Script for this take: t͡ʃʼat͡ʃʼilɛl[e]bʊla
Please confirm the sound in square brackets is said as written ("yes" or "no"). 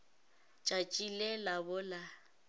no